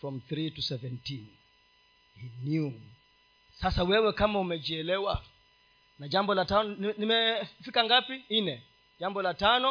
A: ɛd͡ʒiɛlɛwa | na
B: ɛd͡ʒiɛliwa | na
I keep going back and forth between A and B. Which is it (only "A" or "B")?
A